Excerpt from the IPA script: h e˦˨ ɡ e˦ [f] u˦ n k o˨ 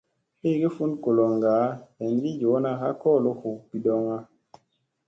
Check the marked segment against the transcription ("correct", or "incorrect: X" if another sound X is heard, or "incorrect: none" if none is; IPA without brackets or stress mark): correct